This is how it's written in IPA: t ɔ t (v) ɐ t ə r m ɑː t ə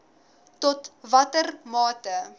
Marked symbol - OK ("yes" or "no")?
yes